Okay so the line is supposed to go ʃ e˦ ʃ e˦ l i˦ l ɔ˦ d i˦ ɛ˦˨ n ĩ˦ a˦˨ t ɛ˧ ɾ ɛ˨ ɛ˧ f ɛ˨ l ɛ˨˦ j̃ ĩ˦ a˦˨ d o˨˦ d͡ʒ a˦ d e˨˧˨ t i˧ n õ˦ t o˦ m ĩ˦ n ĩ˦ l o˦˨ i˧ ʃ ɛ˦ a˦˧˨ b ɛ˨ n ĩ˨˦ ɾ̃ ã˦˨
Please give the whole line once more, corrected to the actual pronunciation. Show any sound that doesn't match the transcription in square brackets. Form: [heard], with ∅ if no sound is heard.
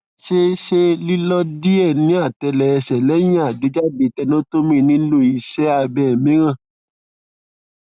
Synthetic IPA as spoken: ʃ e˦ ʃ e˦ l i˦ l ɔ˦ d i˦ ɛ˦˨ n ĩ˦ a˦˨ t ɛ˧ [l] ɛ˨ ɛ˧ [ʃ] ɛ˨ l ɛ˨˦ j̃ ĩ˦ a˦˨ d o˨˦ d͡ʒ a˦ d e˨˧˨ t [ɛ˧] n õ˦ t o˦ m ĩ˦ n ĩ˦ l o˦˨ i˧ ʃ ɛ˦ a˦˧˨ b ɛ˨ [m] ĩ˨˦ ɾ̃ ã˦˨